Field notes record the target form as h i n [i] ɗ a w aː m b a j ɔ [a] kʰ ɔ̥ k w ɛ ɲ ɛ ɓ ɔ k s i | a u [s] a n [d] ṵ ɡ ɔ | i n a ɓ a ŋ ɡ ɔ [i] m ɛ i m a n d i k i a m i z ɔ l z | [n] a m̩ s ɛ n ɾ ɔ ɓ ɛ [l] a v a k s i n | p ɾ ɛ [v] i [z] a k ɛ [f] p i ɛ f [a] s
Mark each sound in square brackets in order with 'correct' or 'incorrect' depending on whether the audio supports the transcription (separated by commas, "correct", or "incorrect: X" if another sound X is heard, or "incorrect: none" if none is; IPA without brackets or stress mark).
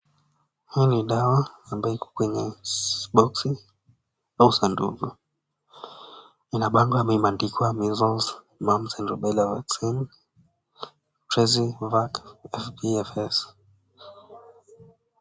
correct, incorrect: i, correct, correct, incorrect: a, incorrect: m, correct, incorrect: z, incorrect: v, correct, incorrect: ɛ